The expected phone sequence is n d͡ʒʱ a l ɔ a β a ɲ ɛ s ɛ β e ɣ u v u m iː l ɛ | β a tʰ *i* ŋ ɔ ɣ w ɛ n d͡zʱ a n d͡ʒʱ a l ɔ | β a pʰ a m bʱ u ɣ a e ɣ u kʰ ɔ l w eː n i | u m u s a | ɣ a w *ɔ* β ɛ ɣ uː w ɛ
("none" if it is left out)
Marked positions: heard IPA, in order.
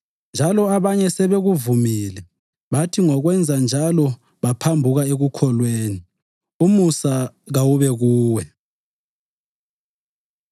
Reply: i, u

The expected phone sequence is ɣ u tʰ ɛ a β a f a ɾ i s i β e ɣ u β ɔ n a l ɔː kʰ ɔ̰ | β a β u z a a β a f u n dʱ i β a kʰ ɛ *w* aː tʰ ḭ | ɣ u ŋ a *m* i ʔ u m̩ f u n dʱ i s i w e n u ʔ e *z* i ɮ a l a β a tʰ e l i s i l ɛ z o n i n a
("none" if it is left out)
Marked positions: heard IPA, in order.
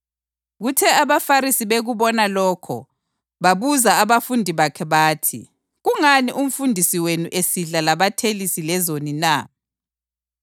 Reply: β, n, s

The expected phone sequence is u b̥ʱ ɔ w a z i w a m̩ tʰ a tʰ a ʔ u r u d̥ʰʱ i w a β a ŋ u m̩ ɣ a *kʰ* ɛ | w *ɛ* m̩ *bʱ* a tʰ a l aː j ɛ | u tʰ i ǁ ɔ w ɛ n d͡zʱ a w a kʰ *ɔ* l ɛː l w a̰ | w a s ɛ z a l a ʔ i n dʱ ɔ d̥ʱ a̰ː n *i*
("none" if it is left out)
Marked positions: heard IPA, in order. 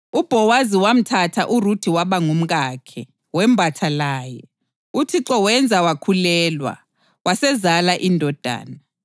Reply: kʰ, ɛ, bʱ, u, a

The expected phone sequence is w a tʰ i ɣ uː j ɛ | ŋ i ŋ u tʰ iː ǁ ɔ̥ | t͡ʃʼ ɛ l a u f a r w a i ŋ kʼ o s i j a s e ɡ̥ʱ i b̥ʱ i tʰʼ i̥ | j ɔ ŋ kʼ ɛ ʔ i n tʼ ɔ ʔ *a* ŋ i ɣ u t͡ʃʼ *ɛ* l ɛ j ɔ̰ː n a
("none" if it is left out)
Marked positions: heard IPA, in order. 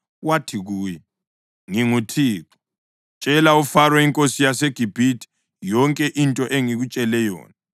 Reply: e, ɛ

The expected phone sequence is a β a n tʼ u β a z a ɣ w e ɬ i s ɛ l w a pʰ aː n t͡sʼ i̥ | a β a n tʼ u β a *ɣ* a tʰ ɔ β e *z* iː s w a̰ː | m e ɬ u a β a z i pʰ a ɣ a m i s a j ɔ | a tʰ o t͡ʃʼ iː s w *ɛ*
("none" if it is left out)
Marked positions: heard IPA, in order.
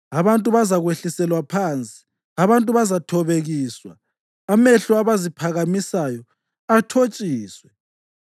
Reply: z, ɣ, ɛ

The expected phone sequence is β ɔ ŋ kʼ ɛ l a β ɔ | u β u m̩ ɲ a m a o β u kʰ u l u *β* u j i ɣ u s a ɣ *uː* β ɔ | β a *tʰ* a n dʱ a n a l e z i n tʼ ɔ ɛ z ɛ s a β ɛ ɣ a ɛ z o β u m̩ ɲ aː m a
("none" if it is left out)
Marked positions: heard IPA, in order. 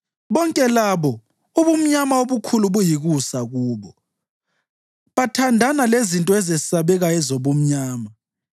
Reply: β, uː, tʰ

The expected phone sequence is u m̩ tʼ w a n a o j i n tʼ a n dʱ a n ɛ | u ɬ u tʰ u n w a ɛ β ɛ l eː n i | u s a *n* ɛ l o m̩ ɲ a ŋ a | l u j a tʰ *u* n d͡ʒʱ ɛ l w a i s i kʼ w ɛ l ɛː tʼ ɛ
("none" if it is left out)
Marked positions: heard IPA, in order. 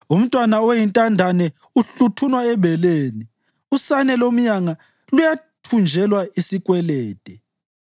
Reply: n, u

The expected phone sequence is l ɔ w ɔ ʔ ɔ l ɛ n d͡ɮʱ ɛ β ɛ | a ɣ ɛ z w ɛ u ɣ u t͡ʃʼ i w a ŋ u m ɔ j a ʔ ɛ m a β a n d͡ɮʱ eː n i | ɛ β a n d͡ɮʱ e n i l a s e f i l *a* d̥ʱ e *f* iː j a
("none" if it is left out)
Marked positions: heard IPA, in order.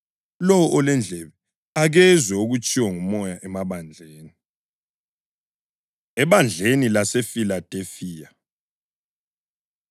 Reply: a, f

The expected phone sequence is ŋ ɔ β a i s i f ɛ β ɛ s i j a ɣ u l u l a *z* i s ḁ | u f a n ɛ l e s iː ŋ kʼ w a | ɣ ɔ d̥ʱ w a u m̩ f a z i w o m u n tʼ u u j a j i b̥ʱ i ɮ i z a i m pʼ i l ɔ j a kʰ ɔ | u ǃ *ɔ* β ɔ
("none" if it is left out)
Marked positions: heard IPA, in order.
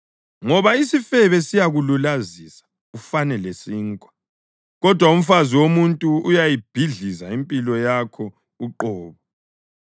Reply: z, ɔː

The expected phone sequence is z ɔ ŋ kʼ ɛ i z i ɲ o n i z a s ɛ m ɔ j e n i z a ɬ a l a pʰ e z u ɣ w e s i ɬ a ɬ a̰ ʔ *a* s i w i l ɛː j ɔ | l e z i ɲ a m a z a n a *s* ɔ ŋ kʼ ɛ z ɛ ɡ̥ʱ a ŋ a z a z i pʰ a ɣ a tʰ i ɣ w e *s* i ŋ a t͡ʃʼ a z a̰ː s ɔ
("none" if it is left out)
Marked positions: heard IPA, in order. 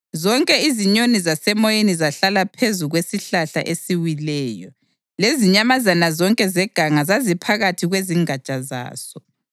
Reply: e, z, z

